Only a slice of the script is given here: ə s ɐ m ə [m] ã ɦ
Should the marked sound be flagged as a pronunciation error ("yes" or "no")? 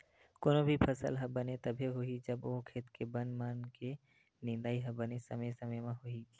no